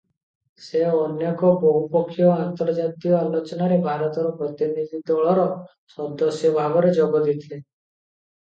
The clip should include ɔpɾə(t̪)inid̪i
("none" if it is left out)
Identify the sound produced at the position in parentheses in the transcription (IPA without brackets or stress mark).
t̪